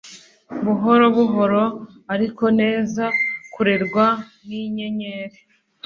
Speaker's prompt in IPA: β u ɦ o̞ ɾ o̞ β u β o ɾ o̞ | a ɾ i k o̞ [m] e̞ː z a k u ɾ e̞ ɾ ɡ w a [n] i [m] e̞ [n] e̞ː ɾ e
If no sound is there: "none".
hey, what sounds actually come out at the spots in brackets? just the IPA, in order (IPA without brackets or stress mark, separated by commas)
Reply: n, n, ɲ, ɲ